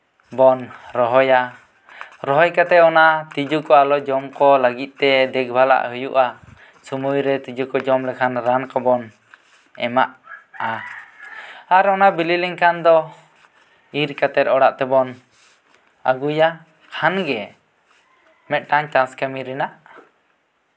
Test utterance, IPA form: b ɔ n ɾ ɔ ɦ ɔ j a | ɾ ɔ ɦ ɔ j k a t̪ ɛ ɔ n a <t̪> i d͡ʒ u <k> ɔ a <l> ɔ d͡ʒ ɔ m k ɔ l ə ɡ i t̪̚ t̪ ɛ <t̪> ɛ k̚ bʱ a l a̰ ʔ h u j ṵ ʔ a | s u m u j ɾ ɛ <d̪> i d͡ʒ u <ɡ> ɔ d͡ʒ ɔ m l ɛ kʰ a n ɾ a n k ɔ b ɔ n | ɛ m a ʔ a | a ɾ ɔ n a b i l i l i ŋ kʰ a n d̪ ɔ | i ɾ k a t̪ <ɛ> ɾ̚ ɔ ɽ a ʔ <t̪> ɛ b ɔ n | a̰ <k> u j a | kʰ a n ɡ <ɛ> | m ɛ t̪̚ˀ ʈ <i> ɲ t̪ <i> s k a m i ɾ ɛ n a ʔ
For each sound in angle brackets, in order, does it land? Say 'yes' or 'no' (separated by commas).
yes, yes, yes, no, no, no, yes, yes, no, yes, no, no